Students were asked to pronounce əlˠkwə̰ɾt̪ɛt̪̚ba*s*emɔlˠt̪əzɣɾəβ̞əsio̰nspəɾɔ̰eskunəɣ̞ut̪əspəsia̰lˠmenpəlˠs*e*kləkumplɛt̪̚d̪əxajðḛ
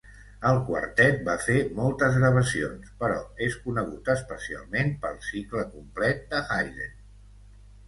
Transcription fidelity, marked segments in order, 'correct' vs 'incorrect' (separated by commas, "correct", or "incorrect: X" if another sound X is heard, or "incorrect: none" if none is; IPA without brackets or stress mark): incorrect: f, incorrect: i